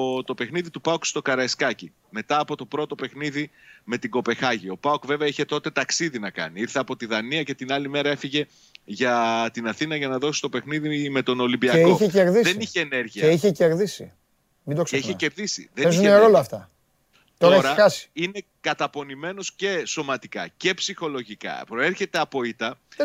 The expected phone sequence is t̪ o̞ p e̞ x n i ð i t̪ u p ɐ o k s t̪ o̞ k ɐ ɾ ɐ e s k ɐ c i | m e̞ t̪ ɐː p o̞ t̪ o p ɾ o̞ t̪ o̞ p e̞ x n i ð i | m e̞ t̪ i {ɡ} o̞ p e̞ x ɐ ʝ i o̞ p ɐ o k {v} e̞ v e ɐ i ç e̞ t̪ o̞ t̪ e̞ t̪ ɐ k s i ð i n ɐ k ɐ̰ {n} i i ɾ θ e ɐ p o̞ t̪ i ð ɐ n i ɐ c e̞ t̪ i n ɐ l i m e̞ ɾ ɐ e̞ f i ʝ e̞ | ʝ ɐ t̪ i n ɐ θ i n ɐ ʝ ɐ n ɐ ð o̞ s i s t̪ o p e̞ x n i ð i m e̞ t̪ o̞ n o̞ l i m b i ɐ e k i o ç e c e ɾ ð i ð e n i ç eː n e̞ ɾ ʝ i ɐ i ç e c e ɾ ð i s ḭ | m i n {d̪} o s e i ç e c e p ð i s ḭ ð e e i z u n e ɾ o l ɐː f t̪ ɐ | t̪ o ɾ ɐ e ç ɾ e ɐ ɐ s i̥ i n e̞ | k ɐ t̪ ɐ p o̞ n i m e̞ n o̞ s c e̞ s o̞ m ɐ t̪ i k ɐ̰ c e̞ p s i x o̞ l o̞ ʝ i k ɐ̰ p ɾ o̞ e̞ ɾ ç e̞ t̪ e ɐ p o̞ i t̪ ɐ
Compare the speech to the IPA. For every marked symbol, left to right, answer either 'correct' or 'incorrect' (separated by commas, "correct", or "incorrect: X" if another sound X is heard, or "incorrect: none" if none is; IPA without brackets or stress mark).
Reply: correct, correct, correct, correct